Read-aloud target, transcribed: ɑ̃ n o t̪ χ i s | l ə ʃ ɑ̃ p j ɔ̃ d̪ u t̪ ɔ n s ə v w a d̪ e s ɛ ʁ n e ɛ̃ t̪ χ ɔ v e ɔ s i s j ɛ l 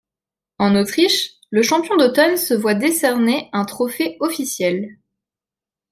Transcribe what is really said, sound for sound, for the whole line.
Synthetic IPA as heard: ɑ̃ n o t̪ χ i ʃ | l ə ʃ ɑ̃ p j ɔ̃ d̪ o t̪ ɔ n s ə v w a d̪ e s ɛ ʁ n e ɛ̃ t̪ χ ɔ f e ɔ f i s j ɛ l